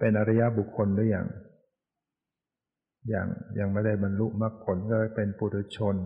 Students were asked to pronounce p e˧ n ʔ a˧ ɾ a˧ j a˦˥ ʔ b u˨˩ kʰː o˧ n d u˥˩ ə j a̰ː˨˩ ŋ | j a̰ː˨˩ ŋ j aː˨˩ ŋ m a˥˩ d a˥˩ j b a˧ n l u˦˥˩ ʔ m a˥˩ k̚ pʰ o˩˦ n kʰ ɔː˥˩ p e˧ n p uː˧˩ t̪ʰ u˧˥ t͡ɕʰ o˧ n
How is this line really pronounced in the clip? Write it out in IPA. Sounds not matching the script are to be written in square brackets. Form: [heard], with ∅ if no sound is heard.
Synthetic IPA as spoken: p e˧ n ʔ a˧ ɾ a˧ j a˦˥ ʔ b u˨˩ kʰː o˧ n d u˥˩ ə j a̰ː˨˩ ŋ | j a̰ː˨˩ ŋ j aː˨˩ ŋ m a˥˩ d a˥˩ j b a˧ n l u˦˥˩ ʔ m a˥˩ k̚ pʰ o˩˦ n [k] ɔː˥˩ p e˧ n p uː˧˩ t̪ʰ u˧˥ t͡ɕʰ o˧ n